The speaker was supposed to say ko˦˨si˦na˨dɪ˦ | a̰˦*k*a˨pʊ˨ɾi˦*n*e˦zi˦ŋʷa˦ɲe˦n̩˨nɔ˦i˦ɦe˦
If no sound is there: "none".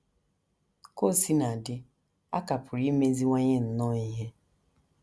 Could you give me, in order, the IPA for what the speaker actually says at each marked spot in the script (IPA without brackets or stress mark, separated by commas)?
k, m